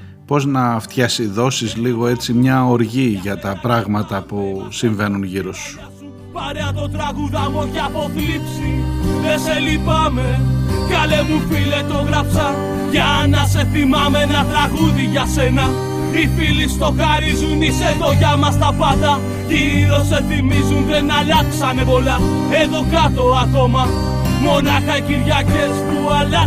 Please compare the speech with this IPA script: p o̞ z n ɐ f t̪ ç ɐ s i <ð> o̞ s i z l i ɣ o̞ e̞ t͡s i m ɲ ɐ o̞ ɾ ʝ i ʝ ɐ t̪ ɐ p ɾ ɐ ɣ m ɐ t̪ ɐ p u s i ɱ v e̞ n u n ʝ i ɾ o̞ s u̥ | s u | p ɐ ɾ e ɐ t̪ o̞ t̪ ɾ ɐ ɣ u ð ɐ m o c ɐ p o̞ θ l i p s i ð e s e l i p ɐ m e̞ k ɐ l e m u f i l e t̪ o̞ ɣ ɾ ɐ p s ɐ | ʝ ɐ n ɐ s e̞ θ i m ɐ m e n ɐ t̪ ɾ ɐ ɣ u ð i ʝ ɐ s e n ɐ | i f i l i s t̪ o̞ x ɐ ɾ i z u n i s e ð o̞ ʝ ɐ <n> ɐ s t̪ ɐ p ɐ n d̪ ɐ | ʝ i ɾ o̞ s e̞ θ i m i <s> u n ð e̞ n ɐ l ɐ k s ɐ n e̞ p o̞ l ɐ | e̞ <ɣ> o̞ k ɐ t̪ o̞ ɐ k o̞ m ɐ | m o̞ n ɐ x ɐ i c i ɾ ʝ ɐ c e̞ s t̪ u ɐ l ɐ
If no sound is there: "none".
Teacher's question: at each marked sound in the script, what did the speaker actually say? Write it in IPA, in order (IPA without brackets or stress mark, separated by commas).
ð, m, z, ð